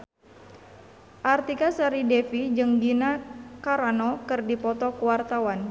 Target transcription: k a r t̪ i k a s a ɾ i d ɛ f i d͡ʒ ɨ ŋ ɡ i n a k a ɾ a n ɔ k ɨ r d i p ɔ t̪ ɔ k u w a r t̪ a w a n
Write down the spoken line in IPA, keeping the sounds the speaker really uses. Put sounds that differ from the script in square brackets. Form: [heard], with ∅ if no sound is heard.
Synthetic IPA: [ʔ] a r t̪ i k a s a ɾ i d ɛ f i d͡ʒ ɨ ŋ ɡ i n a k a ɾ a n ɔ k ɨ r d i p ɔ t̪ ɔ k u w a r t̪ a w a n